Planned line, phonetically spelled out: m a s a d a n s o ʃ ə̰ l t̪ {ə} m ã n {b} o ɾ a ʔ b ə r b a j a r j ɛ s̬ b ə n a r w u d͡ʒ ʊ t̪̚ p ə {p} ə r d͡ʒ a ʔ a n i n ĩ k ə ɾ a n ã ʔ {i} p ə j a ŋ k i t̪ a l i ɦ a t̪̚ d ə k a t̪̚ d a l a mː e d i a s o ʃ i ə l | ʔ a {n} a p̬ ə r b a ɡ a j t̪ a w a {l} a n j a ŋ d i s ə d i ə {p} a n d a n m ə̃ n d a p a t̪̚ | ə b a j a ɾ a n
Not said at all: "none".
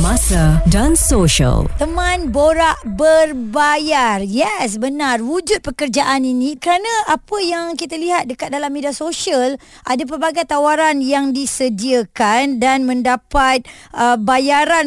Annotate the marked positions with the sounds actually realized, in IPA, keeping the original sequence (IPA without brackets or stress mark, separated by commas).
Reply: ə, b, k, a, d, ɾ, k